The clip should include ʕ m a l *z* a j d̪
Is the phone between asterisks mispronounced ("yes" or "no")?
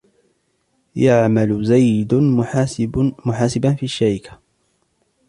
no